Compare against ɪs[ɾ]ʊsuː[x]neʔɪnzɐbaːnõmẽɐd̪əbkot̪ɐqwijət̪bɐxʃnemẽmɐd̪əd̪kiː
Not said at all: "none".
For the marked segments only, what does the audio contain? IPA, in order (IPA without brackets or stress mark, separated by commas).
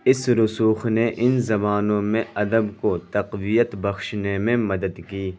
ɾ, x